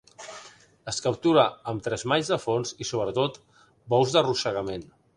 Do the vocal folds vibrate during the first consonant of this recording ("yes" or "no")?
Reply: no